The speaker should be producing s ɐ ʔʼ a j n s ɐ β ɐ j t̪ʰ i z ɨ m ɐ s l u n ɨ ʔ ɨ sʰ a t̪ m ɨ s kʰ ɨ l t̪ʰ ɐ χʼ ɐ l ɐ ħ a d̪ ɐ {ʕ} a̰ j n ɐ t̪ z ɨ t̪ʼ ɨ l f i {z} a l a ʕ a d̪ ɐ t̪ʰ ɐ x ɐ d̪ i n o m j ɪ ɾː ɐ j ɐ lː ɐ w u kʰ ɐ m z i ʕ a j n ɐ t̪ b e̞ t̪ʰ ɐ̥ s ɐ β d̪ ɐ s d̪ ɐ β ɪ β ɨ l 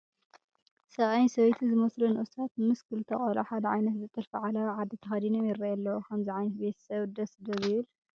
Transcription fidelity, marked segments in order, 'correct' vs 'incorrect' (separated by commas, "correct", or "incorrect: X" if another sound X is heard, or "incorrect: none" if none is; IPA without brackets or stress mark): correct, incorrect: ʕ